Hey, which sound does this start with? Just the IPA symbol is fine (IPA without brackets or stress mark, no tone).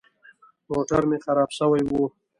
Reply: m